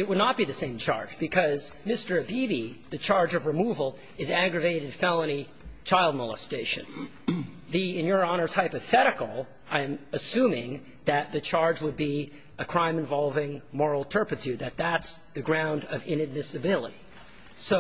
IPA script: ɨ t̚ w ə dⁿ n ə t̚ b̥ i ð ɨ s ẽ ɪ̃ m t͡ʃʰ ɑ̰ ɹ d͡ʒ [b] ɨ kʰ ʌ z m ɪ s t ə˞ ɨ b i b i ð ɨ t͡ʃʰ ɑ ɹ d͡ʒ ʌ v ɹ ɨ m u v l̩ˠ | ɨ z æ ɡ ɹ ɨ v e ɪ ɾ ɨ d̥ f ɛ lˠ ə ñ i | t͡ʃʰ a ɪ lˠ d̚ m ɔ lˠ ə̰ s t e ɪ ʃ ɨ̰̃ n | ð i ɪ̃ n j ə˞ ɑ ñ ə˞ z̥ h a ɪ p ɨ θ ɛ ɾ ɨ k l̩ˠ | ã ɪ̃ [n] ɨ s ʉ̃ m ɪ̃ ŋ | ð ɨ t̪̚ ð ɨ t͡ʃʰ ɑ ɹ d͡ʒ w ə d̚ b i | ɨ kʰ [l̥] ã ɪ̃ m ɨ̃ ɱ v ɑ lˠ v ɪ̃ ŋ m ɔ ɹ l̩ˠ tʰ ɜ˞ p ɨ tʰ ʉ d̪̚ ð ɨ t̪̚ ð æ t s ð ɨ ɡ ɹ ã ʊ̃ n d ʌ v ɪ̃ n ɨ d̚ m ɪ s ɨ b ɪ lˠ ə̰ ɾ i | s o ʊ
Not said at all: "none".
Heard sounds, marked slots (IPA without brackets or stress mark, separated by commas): b, m, ɹ̥